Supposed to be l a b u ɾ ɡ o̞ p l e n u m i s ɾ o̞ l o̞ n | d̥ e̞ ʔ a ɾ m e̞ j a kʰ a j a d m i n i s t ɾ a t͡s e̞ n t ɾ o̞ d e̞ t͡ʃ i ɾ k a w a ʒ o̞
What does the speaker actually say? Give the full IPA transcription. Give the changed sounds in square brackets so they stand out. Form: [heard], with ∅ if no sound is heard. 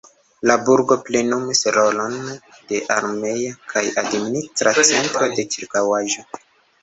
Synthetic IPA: l a b u ɾ ɡ o̞ p l e n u m i s ɾ o̞ l o̞ n | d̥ e̞ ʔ a ɾ m e̞ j a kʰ a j a d m i n i s t ɾ a t͡s e̞ n t ɾ o̞ d e̞ t͡ʃ i ɾ k a w a ʒ o̞